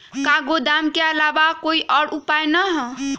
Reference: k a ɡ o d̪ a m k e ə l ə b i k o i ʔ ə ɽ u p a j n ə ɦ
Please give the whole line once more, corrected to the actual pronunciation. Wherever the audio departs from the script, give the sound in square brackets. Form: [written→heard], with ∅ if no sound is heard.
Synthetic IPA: k a ɡ o d̪ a m k e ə l [ə→a] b [i→a] k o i ʔ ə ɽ u p a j n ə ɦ